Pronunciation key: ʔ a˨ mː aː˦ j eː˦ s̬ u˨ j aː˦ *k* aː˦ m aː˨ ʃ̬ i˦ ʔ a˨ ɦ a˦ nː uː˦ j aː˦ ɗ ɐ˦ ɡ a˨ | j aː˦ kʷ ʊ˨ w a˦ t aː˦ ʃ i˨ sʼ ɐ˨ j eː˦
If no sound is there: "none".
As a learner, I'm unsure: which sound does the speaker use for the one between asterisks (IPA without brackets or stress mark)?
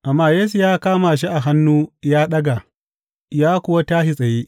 k